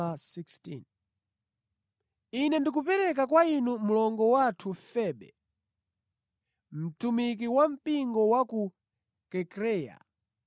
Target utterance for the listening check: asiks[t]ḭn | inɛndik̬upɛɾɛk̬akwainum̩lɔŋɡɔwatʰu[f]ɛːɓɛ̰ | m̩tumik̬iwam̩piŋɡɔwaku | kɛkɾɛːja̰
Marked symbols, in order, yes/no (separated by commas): yes, yes